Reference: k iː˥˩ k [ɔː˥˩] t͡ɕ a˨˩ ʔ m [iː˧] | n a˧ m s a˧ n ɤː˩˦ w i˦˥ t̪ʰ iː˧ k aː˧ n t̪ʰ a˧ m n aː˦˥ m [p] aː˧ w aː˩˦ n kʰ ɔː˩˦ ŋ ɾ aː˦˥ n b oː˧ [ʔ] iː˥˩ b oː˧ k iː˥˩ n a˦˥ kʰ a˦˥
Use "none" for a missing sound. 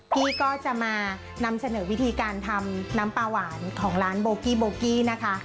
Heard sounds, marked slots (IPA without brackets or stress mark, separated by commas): ɔː˥˩, aː˧, p, k